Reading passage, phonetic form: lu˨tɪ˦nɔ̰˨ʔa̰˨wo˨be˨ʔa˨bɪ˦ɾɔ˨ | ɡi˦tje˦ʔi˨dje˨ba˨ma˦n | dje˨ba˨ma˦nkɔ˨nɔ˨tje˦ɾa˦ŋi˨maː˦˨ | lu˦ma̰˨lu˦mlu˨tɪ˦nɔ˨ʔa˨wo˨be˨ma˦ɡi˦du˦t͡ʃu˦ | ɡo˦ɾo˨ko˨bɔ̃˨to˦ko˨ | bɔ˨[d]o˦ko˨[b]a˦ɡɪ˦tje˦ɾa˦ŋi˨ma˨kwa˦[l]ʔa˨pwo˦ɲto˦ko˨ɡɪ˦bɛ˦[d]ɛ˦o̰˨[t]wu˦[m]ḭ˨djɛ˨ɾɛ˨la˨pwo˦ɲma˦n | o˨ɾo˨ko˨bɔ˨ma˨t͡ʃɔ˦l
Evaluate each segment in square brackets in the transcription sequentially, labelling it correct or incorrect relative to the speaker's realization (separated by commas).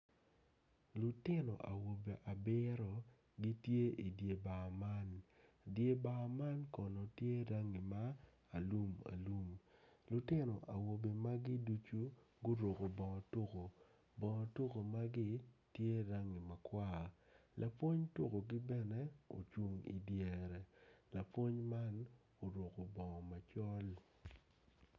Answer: incorrect, incorrect, correct, incorrect, incorrect, incorrect